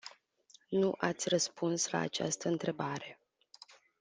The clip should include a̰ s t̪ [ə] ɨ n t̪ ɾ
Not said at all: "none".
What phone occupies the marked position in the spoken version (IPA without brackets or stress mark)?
ə